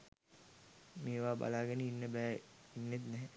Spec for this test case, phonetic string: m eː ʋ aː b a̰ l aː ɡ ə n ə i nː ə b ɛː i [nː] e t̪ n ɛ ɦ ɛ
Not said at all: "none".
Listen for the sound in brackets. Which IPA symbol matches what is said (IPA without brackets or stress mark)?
nː